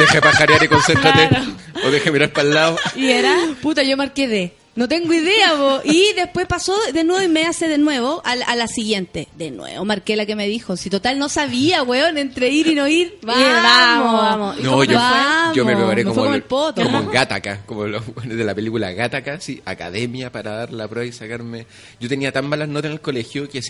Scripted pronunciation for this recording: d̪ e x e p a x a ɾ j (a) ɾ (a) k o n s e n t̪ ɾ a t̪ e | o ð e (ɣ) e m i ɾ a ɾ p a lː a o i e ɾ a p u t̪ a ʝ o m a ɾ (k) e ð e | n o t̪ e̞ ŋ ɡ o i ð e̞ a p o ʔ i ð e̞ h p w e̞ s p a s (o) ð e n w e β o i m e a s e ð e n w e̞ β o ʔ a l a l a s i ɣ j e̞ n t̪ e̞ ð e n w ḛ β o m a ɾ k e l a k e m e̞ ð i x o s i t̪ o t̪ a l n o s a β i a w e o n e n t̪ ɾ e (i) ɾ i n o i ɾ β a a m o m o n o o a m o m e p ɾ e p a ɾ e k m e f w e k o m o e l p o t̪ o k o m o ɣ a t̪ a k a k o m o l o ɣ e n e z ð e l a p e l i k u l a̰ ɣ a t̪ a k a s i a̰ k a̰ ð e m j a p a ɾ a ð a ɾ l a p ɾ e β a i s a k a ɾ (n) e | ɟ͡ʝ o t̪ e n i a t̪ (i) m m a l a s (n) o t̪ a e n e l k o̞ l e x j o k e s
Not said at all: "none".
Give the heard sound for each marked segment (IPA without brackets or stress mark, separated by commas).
a, i, x, k, o, i, m, a, n